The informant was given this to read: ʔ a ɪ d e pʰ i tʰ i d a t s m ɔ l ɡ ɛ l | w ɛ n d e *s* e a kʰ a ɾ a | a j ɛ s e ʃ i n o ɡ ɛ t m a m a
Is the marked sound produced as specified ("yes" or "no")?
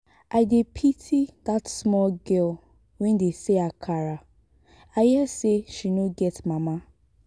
yes